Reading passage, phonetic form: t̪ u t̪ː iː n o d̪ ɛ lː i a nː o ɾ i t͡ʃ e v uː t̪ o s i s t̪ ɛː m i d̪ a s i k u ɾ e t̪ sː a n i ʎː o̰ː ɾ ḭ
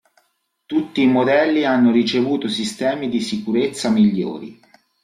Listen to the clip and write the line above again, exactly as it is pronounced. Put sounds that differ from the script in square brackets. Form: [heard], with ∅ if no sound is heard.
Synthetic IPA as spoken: t̪ u t̪ː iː [m] o d̪ ɛ lː i a nː o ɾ i t͡ʃ e v uː t̪ o s i s t̪ ɛː m i d̪ [i] s i k u ɾ e t̪ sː a [m] i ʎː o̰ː ɾ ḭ